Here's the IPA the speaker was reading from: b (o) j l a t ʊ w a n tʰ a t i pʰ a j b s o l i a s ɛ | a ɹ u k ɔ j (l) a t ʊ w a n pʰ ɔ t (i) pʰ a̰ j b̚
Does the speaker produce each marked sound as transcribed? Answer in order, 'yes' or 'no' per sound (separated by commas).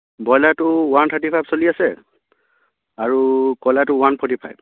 no, yes, yes